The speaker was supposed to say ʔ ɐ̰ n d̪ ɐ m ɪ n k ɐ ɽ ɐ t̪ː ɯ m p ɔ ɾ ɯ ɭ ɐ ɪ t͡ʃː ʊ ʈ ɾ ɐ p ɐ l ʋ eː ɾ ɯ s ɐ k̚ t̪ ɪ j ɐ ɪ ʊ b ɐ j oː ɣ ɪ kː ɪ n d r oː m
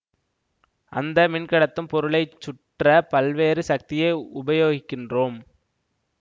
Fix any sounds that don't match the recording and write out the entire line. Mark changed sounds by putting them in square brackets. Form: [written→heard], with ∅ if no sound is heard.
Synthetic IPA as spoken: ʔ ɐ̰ n d̪ ɐ m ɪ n k ɐ ɽ ɐ t̪ː ɯ m p ɔ ɾ ɯ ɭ ɐ ɪ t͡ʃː ʊ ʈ [ɾ→r] ɐ p ɐ l ʋ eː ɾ ɯ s ɐ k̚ t̪ ɪ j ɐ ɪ ʊ b ɐ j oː ɣ ɪ kː ɪ n d r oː m